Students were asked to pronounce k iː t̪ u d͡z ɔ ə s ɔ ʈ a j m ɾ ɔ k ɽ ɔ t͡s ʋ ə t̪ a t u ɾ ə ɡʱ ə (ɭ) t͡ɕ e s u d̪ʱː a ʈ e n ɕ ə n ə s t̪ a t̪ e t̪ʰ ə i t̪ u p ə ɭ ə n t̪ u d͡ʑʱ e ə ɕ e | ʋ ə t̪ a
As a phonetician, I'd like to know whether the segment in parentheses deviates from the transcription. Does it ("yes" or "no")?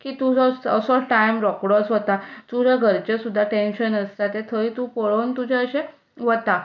yes